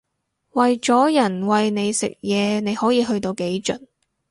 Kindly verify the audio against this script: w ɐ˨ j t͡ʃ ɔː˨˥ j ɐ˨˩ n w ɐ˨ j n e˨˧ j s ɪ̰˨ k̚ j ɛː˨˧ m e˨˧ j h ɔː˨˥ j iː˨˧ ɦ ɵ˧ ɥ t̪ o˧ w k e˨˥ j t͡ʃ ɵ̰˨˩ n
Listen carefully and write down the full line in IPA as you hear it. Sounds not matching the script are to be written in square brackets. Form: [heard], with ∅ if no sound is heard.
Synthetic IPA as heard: w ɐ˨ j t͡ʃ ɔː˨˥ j ɐ˨˩ n w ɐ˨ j n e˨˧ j s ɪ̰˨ k̚ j ɛː˨˧ [n] e˨˧ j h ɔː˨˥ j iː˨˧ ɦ ɵ˧ ɥ t̪ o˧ w k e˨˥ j t͡ʃ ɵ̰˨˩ n